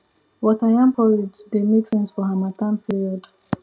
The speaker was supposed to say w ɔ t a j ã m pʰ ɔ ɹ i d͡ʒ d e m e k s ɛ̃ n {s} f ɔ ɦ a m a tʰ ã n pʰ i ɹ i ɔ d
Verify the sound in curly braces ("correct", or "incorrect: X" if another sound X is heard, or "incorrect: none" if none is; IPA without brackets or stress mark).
correct